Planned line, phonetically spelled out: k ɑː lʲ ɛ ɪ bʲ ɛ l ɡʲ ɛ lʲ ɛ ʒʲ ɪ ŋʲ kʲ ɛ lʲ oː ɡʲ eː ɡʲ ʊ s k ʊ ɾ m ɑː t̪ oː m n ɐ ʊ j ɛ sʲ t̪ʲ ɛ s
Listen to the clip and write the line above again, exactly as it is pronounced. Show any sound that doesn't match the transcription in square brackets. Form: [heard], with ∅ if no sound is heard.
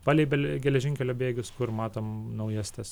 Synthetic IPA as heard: [p] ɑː lʲ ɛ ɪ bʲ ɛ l ɡʲ ɛ lʲ ɛ ʒʲ ɪ ŋʲ kʲ ɛ lʲ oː [bʲ] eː ɡʲ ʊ s k ʊ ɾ m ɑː t̪ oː m n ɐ ʊ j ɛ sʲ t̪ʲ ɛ s